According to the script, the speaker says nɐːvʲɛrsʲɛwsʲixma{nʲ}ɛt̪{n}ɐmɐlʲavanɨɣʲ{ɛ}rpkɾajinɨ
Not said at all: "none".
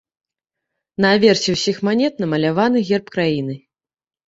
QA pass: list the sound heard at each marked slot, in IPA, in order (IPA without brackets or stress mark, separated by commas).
nʲ, n, ɛ